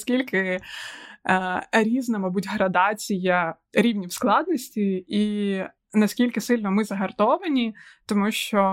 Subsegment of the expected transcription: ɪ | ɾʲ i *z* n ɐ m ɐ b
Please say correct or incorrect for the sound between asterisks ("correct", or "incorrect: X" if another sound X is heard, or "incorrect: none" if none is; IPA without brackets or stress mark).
correct